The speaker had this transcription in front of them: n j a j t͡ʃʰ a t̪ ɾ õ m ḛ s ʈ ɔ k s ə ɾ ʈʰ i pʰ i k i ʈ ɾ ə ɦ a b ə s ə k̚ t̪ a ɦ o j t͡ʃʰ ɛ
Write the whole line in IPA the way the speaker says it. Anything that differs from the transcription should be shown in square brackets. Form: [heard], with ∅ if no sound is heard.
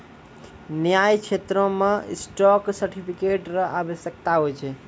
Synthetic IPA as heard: n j a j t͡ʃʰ [e] t̪ ɾ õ m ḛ s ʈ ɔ k s ə ɾ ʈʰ i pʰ i k [e] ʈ ɾ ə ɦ a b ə s ə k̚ t̪ a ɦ o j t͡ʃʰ ɛ